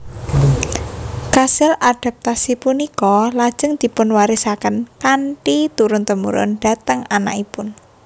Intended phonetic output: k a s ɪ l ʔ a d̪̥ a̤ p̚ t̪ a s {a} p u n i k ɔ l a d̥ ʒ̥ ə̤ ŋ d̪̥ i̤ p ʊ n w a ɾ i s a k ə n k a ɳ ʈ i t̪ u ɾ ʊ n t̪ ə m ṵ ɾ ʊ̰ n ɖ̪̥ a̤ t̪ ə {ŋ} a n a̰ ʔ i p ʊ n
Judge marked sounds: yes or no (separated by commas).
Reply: no, yes